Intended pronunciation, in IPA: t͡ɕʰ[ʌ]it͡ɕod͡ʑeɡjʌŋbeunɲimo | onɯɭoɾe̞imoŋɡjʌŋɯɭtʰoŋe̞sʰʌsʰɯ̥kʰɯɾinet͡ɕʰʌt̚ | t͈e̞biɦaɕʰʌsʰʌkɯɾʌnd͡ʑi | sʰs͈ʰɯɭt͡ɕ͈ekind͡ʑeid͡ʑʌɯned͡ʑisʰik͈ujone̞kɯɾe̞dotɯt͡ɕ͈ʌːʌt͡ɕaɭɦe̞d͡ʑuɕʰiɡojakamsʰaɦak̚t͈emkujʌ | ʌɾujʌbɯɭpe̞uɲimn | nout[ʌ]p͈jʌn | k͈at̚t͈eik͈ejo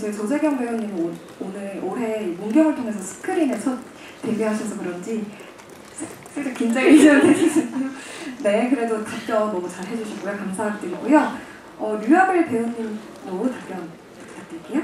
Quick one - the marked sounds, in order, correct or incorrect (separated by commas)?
correct, incorrect